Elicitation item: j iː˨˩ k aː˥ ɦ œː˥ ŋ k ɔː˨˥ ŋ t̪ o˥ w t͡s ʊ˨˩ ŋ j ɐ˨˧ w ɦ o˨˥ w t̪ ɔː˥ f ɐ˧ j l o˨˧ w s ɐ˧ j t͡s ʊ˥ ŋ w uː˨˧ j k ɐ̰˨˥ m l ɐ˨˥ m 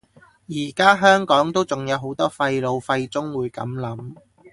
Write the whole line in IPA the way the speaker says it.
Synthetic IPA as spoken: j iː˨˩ k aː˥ ɦ œː˥ ŋ k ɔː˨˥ ŋ t̪ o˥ w t͡s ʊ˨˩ ŋ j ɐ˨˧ w ɦ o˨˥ w t̪ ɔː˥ f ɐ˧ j l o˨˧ w f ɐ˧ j t͡s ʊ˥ ŋ w uː˨˧ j k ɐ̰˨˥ m l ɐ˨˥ m